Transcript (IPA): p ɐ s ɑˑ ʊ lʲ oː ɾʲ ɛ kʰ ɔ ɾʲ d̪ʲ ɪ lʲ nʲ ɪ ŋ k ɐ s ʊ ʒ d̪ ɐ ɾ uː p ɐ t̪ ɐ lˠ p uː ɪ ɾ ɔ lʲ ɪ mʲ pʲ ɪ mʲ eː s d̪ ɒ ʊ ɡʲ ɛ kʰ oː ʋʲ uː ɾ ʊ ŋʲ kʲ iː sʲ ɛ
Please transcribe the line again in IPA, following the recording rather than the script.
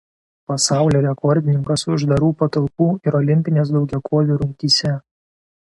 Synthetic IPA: p ɐ s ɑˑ ʊ lʲ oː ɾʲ ɛ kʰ ɔ ɾʲ d̪ʲ ɪ nʲ ɪ ŋ k ɐ s ʊ ʒ d̪ ɐ ɾ uː p ɐ t̪ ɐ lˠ p uː ɪ ɾ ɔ lʲ ɪ mʲ pʲ ɪ nʲ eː s d̪ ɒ ʊ ɡʲ ɛ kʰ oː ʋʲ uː ɾ ʊ ŋʲ kʲ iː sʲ ɛ